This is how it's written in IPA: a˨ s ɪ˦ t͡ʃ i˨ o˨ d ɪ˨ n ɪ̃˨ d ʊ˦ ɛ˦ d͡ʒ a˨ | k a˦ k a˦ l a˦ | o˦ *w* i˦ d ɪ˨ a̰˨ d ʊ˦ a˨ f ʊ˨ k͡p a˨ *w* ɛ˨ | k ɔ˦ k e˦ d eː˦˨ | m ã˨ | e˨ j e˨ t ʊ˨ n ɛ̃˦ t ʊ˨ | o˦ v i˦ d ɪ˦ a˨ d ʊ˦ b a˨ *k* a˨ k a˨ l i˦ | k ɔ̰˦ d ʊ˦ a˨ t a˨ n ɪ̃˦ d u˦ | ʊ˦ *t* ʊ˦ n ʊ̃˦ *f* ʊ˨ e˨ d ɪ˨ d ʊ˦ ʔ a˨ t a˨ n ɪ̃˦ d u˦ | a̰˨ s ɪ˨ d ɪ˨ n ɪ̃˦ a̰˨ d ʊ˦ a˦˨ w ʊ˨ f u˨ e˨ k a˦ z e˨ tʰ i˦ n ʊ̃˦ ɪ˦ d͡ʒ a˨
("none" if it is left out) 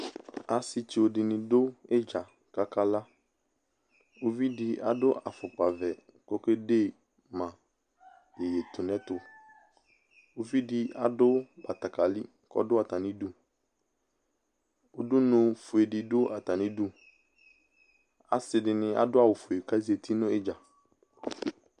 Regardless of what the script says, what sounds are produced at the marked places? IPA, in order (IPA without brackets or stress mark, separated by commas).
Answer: v, v, t, d, f